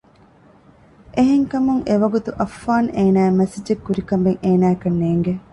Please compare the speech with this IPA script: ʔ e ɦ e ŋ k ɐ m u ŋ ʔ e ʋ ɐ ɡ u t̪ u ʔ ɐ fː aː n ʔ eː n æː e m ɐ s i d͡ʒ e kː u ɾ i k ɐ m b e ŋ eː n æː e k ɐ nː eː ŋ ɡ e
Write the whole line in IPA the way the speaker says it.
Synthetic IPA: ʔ e ɦ e ŋ k ɐ m u ŋ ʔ e ʋ ɐ ɡ u t̪ u ʔ ɐ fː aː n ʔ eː n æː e m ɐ s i d͡ʒ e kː u ɾ i k ɐ m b e ŋ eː n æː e k ɐ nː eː ŋ ɡ e